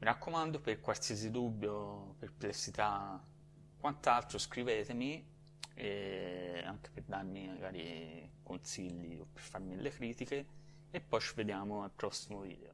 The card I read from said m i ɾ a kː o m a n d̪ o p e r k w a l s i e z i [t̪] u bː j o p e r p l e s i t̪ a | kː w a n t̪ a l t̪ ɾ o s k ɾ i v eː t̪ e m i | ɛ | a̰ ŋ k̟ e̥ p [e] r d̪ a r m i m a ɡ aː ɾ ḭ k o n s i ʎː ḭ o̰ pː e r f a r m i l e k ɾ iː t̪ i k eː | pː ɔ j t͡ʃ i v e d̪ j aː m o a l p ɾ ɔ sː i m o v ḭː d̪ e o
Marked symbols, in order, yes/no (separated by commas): no, yes